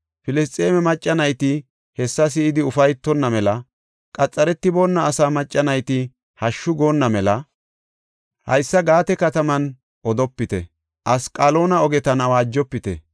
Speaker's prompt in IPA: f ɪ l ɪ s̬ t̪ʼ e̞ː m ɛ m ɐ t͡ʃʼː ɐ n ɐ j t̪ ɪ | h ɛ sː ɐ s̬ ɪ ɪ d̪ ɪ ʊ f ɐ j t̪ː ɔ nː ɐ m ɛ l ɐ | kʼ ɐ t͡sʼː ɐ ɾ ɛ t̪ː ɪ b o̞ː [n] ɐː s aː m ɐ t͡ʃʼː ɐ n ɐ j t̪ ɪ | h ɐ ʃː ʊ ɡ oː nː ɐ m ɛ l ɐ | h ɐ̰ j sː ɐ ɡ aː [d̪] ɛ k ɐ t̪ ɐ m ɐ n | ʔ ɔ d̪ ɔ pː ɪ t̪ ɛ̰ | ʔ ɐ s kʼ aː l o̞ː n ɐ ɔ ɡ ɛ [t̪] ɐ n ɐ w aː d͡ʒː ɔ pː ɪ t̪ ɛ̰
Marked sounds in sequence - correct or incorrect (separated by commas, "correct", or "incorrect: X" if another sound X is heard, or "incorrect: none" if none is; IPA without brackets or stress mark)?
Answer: incorrect: nː, incorrect: t̪, correct